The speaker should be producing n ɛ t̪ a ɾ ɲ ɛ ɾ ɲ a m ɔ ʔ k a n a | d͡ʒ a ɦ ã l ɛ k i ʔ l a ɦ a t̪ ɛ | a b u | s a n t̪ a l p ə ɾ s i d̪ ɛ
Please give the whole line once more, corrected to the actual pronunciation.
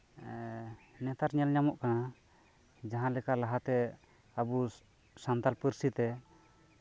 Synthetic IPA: n ɛ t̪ a ɾ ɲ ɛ l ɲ a m ɔ ʔ k a n a | d͡ʒ a ɦ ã l ɛ k a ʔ l a ɦ a t̪ ɛ | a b u | s a n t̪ a l p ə ɾ s i t̪ ɛ